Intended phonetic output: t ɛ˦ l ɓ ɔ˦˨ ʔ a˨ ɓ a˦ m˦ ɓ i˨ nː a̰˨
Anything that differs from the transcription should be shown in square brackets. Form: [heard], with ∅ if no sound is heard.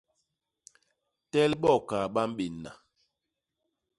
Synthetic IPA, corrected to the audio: t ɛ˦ l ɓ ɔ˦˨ [k] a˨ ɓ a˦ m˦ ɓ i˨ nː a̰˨